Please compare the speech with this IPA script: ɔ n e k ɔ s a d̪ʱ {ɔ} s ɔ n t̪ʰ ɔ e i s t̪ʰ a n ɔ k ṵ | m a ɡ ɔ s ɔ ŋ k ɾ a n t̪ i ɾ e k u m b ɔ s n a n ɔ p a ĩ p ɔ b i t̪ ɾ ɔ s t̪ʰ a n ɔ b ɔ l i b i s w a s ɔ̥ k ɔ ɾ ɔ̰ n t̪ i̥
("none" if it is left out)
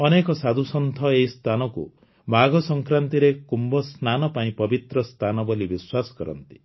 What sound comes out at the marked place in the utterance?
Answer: u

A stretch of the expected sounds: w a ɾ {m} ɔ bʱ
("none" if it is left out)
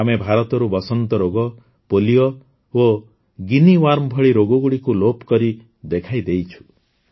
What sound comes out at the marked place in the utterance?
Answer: m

